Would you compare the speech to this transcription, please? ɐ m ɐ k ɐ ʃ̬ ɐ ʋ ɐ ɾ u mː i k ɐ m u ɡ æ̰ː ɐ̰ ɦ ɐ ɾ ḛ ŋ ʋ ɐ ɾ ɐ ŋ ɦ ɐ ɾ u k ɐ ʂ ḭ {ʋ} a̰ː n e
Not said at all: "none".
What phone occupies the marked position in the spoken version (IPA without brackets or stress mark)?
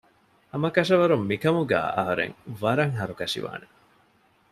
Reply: ʋ